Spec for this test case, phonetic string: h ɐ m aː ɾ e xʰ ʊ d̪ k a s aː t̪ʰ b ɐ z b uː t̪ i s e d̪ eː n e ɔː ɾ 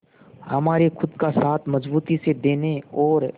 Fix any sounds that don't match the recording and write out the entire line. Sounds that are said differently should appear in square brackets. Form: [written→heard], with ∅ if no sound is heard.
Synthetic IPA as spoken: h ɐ m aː ɾ e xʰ ʊ d̪ k a s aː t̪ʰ [b→m] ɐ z b uː t̪ i s e d̪ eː n e ɔː ɾ